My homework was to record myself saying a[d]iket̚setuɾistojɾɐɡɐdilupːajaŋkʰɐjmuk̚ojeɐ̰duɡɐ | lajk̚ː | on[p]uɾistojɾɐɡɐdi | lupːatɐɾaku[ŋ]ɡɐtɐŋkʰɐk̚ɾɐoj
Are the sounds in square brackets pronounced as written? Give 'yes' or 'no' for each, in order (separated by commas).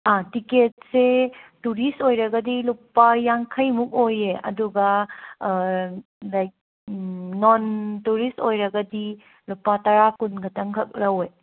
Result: no, no, no